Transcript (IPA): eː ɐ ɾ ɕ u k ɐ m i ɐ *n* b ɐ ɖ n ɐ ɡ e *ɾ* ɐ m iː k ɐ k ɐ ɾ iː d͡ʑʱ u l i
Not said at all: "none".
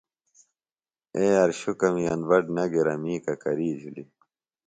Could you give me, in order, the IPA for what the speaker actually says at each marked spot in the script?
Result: n, ɾ

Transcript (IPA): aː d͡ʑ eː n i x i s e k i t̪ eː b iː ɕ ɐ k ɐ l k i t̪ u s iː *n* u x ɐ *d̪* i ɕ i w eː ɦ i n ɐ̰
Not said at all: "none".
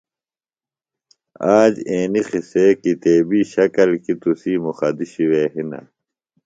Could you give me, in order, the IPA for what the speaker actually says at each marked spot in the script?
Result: m, d̪

